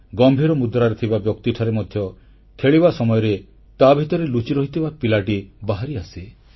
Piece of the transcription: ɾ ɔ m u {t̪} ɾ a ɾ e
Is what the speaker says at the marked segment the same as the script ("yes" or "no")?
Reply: no